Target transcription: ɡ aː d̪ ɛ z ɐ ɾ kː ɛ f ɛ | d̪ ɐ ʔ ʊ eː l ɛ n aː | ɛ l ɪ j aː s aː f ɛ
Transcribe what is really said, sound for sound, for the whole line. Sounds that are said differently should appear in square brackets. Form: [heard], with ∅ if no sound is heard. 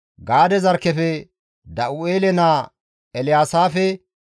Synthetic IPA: ɡ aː d̪ ɛ z ɐ ɾ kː ɛ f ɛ | d̪ ɐ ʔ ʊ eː l ɛ n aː | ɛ l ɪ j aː s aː f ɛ